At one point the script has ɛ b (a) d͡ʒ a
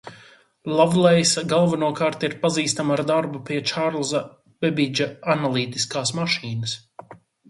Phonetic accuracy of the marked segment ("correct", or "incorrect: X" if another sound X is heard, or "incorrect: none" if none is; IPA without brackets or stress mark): incorrect: i